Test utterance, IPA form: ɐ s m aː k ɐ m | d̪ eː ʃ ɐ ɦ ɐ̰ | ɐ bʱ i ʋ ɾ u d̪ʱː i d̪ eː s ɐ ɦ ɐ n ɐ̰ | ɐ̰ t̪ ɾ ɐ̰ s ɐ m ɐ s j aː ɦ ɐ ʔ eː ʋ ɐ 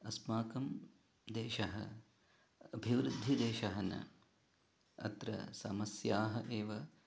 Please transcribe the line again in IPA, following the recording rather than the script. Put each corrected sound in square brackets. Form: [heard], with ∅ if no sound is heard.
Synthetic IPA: ɐ s m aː k ɐ m | d̪ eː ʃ ɐ ɦ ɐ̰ | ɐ bʱ i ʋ ɾ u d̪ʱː i d̪ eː [ʃ] ɐ ɦ ɐ n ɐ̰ | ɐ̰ t̪ ɾ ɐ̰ s ɐ m ɐ s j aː ɦ ɐ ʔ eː ʋ ɐ